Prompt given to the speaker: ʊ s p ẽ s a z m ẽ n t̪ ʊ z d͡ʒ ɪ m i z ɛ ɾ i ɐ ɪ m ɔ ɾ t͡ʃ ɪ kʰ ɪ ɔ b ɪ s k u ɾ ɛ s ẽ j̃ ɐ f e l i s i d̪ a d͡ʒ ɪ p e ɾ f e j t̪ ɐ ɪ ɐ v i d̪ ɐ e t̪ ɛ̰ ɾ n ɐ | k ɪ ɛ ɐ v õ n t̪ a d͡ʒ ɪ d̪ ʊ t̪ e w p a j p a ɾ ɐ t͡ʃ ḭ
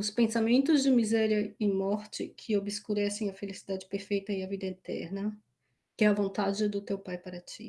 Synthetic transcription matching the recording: ʊ s p ẽ s a m ẽ n t̪ ʊ z d͡ʒ ɪ m i z ɛ ɾ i ɐ ɪ m ɔ ɾ t͡ʃ ɪ kʰ ɪ o b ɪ s k u ɾ ɛ s ẽ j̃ ɐ f e l i s i d̪ a d͡ʒ ɪ p e ɾ f e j t̪ ɐ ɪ ɐ v i d̪ ɐ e t̪ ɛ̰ ɾ n ɐ | k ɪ ɛ ɐ v õ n t̪ a d͡ʒ ɪ d̪ ʊ t̪ e w p a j p a ɾ ɐ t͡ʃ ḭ